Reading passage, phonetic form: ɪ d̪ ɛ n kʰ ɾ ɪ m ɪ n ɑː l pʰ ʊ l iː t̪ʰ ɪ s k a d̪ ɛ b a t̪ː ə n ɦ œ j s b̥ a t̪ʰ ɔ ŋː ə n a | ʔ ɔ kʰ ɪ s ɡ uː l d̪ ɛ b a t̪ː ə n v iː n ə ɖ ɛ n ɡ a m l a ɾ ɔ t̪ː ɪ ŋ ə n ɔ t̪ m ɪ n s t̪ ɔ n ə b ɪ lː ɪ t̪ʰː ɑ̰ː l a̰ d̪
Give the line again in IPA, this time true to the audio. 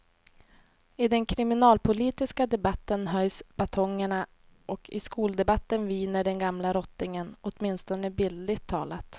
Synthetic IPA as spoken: ɪ d̪ ɛ n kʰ ɾ ɪ m ɪ n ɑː l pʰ ʊ l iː t̪ ɪ s k a d̪ ɛ b a t̪ː ə n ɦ œ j s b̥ a t̪ʰ ɔ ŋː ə ɳ a | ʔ ɔ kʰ ɪ s k uː l d̪ ɛ b a t̪ː ə n v iː n ə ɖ ɛ n ɡ a m l a ɾ ɔ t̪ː ɪ ŋ ə n ɔ t̪ m ɪ n s t̪ ɔ n ə b ɪ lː ɪ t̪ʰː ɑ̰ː l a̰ t̪